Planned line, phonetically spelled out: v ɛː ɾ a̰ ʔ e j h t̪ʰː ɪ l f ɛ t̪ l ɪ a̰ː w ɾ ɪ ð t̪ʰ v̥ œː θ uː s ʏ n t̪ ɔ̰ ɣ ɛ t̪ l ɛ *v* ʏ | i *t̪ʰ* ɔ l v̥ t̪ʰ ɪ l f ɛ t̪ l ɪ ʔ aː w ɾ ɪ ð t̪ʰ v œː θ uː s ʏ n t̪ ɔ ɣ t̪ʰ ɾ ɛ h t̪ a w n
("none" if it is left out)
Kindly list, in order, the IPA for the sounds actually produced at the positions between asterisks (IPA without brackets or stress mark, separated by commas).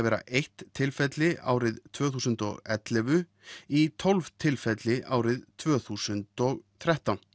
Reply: v, t̪ʰ